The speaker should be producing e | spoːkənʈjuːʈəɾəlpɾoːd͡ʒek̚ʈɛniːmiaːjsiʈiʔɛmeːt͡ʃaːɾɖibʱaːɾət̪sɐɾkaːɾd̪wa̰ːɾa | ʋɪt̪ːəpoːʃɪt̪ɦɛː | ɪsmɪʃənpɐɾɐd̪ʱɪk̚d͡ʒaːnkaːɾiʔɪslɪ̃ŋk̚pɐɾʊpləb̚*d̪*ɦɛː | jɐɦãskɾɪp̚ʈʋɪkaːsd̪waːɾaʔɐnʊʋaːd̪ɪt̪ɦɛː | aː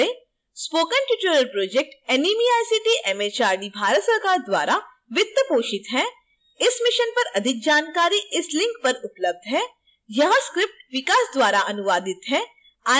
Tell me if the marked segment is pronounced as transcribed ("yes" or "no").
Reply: yes